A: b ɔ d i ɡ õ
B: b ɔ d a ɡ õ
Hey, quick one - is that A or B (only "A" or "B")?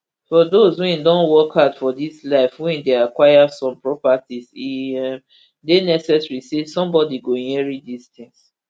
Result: A